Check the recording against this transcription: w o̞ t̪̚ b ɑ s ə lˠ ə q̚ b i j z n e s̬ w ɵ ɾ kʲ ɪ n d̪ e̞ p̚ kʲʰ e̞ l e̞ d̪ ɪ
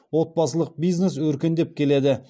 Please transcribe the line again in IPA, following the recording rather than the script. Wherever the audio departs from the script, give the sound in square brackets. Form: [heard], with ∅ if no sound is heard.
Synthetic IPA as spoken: w o̞ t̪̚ b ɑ s ə lˠ ə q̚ b i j z n e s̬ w ɵ ɾ kʲ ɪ n d̪ e̞ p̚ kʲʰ e̞ l e̞ d̪ ɪ